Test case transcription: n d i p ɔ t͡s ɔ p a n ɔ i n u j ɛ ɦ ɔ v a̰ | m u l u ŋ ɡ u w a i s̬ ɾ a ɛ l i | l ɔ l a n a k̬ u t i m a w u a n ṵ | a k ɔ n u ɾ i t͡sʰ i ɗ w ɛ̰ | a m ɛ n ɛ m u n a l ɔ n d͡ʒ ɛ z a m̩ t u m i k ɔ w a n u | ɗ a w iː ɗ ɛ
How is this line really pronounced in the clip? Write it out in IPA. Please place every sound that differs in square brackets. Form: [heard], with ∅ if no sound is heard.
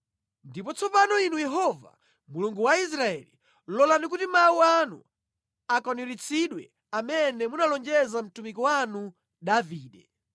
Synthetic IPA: n d i p ɔ t͡s ɔ p a n ɔ i n u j ɛ ɦ ɔ v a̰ | m u l u ŋ ɡ u w a i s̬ ɾ a ɛ l i | l ɔ l a n [i] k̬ u t i m a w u a n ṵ | a k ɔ n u ɾ i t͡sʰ i ɗ w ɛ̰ | a m ɛ n ɛ m u n a l ɔ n d͡ʒ ɛ z a m̩ t u m i k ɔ w a n u | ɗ a [v] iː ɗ ɛ

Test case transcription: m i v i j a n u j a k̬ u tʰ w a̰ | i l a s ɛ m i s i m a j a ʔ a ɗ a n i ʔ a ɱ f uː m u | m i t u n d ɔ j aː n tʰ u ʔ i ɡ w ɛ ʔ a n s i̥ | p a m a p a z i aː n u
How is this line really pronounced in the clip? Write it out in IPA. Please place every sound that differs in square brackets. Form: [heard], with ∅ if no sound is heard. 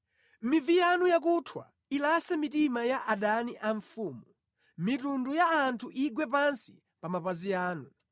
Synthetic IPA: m i v i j a n u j a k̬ u tʰ w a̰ | i l a s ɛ m i [t] i m a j a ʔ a ɗ a n i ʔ a ɱ f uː m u | m i t u n d [u] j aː n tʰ u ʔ i ɡ w ɛ [p] a n s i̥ | p a m a p a z i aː n u

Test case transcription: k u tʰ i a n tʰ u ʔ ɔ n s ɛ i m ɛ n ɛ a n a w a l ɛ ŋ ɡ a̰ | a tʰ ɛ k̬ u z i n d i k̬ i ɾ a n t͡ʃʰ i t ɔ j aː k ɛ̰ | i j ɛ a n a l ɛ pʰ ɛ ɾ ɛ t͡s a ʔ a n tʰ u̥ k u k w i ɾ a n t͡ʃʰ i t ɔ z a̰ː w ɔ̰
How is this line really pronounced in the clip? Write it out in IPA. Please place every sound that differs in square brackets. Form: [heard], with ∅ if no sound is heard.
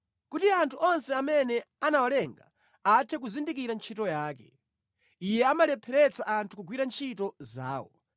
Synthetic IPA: k u [t] i a n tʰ u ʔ ɔ n s ɛ [a] m ɛ n ɛ a n a w a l ɛ ŋ ɡ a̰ | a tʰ ɛ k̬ u z i n d i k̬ i ɾ a n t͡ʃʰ i t ɔ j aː k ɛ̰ | i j ɛ a [m] a l ɛ pʰ ɛ ɾ ɛ t͡s a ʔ a n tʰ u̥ k u [ɡ] w i ɾ a n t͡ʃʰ i t ɔ z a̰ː w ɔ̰

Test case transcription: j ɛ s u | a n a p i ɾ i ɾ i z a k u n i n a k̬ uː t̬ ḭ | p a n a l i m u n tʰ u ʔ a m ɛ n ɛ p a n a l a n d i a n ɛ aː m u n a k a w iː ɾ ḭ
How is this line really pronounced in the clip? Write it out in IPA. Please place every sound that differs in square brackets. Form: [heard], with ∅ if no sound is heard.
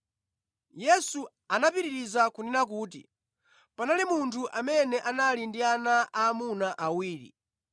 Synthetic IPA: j ɛ s u | a n a p i ɾ i ɾ i z a k u n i n a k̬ uː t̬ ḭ | p a n a l i m u n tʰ u ʔ a m ɛ n ɛ [ʔ] a n a l [i] n d i a n [a] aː m u n a [ʔ] a w iː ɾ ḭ

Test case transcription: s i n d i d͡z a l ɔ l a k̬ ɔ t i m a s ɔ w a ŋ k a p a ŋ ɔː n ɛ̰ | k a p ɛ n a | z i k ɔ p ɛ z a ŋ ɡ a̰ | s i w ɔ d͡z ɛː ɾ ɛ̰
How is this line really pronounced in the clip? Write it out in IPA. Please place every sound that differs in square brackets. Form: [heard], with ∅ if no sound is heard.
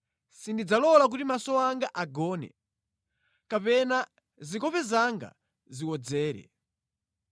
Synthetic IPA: s i n d i d͡z a l ɔ l a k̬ [u] t i m a s ɔ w a ŋ [ɡ] a [ʔ] a [ɡ] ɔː n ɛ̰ | k a p ɛ n a | z i k ɔ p ɛ z a ŋ ɡ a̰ | [z] i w ɔ d͡z ɛː ɾ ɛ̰

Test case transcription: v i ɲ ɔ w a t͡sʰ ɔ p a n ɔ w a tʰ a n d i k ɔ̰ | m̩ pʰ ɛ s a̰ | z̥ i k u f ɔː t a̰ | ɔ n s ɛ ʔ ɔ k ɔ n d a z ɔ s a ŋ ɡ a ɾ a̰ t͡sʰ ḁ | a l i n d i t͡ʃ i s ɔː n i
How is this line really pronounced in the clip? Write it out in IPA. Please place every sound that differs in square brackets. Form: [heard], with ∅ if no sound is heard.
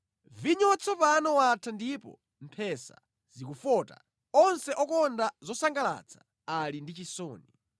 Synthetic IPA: v i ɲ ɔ w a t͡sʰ ɔ p a n ɔ w a tʰ a n d i [p] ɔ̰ | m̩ pʰ ɛ s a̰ | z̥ i k u f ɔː t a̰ | ɔ n s ɛ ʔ ɔ k ɔ n d a z ɔ s a ŋ ɡ a [l] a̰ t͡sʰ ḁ | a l i n d i t͡ʃ i s ɔː n i

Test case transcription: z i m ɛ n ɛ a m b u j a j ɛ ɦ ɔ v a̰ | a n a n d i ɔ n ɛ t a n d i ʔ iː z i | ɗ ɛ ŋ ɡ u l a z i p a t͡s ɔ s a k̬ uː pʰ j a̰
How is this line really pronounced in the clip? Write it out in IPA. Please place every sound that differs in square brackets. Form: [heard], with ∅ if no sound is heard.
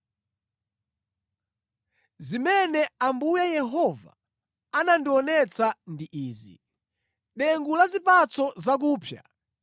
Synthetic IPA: z i m ɛ n ɛ a m b u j a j ɛ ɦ ɔ v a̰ | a n a n d i ɔ n ɛ [t͡s] a n d i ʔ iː z i | ɗ ɛ ŋ ɡ u l a z i p a t͡s ɔ [z] a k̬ uː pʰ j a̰

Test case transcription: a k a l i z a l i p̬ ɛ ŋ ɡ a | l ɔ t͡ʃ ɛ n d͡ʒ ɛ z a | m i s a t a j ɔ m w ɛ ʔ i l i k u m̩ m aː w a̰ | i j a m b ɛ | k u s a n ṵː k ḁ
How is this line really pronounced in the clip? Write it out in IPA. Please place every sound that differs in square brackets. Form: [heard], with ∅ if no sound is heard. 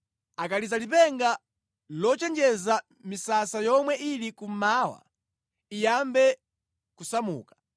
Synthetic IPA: a k a l i z a l i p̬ ɛ ŋ ɡ a | l ɔ t͡ʃ ɛ n d͡ʒ ɛ z a | m i s a [s] a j ɔ m w ɛ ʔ i l i k u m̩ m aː w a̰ | i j a m b ɛ | k u s a [m] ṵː k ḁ

